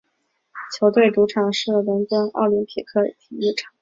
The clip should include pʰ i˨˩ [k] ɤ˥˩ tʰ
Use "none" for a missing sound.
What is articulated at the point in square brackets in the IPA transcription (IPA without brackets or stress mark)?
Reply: kʰ